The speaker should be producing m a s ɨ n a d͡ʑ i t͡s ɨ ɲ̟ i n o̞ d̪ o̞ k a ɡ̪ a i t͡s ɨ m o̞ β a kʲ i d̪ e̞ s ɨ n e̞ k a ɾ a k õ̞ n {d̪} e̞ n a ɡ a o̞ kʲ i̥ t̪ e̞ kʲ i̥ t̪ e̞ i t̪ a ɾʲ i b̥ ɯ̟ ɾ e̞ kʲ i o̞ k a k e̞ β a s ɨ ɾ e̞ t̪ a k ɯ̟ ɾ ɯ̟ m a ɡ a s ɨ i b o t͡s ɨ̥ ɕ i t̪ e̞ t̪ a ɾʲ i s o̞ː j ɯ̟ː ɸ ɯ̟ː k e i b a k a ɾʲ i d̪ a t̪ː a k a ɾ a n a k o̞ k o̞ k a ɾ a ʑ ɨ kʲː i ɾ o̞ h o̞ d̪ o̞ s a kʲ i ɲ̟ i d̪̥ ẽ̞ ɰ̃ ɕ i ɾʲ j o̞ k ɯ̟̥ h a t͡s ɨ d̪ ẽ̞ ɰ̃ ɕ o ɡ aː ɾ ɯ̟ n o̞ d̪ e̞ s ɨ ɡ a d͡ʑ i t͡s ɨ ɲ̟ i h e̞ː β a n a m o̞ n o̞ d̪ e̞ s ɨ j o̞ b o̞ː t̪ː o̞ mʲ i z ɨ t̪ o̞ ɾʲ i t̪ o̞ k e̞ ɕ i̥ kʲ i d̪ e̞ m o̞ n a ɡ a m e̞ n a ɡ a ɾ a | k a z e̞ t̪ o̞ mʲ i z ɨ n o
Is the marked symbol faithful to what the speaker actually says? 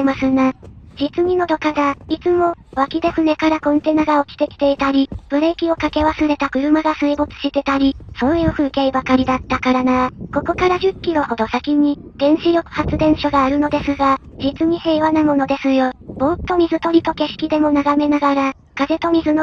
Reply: no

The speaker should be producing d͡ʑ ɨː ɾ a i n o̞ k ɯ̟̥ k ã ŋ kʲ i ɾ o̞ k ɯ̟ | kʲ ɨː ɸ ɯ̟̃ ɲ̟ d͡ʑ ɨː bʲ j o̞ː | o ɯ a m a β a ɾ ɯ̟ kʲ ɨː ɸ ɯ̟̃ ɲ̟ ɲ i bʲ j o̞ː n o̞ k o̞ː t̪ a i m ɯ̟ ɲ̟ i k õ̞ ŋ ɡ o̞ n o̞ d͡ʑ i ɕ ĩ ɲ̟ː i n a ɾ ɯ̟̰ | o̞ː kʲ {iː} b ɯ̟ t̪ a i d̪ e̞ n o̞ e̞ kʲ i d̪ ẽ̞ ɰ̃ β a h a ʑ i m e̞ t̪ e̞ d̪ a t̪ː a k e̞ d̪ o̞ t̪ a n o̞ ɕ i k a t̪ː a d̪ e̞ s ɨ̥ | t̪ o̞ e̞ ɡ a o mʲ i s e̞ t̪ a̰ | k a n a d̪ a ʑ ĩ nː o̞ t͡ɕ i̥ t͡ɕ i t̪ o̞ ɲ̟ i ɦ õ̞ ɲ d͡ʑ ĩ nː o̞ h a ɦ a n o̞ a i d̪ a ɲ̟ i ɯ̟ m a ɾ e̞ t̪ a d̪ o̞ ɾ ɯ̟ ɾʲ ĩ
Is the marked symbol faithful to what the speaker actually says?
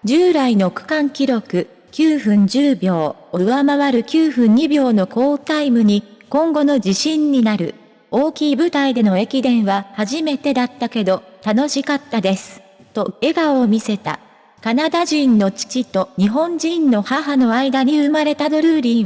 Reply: yes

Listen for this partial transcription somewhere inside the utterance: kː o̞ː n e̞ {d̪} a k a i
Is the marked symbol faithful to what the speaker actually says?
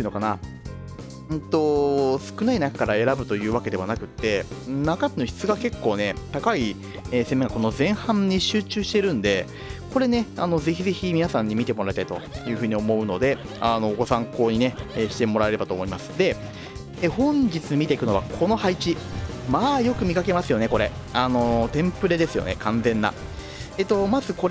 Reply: no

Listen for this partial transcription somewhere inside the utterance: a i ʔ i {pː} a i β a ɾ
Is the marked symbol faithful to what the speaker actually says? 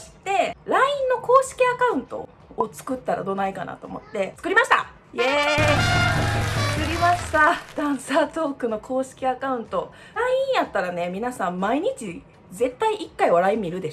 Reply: no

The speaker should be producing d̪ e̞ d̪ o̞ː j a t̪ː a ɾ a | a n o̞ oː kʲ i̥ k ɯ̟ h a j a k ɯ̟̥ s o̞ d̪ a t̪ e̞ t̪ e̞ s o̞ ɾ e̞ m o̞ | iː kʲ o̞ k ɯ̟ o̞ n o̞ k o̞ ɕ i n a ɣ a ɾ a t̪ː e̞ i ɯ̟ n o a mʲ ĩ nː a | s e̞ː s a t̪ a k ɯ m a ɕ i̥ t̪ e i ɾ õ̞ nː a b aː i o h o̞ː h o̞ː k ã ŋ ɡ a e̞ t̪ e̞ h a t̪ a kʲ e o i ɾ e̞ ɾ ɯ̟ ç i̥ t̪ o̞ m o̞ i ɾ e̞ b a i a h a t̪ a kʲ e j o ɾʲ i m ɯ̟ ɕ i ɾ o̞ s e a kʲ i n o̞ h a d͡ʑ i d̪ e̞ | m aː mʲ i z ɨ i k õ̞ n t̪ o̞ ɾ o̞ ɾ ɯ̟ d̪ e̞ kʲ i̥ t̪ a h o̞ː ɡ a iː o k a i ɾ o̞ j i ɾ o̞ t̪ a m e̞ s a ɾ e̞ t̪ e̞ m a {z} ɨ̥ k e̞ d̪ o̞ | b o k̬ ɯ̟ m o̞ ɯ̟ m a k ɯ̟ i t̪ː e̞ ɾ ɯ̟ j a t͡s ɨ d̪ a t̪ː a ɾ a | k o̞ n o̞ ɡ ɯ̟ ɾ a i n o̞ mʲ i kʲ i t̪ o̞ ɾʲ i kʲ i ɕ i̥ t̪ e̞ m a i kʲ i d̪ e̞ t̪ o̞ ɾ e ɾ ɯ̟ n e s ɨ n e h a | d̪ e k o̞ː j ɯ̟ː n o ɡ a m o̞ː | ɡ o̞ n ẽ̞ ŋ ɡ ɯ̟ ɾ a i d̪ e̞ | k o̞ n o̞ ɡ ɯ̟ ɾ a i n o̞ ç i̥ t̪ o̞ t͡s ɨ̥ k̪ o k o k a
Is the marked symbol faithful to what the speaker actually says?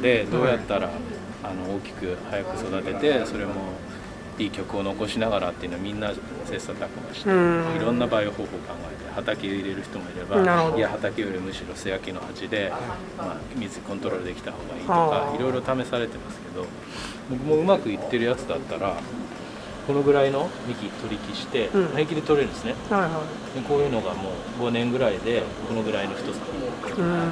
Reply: no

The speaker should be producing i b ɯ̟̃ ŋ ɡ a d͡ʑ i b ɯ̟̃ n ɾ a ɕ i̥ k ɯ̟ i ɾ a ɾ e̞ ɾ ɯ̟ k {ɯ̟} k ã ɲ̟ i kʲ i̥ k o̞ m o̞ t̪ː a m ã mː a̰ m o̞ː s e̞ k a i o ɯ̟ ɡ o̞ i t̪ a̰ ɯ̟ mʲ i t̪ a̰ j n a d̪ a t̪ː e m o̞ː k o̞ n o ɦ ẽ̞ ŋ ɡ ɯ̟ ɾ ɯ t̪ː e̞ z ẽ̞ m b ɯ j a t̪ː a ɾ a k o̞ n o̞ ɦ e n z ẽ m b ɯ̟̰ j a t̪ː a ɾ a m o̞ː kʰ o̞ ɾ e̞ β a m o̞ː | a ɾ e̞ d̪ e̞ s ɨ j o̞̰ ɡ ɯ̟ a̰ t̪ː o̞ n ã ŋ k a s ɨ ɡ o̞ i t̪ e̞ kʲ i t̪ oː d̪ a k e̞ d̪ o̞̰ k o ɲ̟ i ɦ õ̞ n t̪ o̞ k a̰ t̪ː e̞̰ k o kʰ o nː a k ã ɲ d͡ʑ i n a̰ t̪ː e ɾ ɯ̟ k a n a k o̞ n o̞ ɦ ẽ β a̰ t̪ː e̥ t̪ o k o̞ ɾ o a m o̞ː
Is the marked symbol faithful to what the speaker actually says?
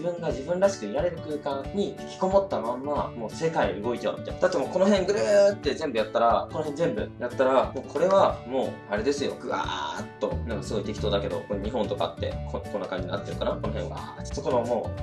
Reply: no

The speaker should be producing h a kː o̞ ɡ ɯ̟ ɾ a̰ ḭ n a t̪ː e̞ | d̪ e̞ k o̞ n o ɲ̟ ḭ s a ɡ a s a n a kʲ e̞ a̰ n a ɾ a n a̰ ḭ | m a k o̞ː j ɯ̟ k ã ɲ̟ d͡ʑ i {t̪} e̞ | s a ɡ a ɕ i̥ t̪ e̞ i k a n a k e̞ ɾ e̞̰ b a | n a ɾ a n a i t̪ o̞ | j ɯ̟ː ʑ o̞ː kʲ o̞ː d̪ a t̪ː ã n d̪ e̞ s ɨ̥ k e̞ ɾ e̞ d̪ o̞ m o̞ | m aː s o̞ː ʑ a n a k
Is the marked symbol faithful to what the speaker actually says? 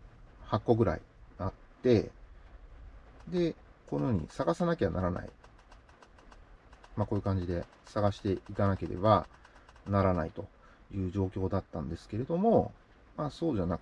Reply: no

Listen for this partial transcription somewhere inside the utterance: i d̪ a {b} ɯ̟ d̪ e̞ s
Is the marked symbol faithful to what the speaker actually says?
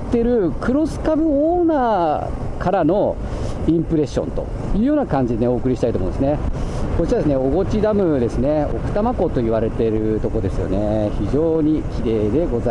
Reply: no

